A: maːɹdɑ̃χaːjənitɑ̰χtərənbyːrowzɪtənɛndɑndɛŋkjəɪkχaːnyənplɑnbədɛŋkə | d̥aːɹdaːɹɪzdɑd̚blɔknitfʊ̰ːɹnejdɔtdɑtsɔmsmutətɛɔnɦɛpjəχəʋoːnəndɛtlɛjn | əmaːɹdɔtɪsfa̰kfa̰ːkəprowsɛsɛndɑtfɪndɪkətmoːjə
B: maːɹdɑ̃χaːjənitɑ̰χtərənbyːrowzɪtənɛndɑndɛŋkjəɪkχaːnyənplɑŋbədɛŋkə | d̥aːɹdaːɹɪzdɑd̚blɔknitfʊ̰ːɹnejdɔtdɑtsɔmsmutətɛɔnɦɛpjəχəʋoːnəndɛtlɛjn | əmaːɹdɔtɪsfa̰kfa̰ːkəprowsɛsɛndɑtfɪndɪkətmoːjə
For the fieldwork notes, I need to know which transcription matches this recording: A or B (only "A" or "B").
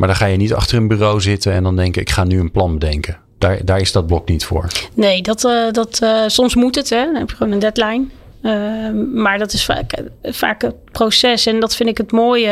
A